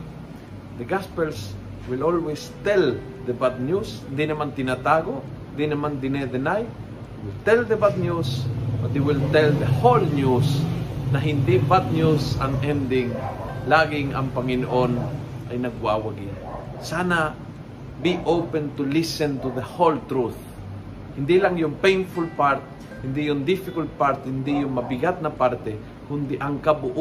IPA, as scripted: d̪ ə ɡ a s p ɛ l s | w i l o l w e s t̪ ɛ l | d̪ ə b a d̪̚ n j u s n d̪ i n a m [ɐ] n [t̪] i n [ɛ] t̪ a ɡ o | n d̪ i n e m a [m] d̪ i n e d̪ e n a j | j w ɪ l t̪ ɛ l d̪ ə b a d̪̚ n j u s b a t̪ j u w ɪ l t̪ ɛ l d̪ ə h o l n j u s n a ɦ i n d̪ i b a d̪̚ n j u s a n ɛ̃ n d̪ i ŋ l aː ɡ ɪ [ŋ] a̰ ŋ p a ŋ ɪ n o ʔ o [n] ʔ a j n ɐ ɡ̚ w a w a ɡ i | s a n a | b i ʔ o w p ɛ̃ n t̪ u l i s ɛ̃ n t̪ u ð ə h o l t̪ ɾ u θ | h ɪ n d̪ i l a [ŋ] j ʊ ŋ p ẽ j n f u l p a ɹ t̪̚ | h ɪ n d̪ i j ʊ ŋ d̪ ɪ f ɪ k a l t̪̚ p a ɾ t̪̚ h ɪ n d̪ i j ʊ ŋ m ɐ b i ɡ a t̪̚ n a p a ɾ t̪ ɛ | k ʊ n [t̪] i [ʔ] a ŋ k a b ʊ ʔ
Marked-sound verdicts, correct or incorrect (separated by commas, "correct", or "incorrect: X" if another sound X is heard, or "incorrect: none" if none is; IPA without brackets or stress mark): incorrect: a, correct, incorrect: a, incorrect: n, correct, correct, correct, incorrect: d̪, correct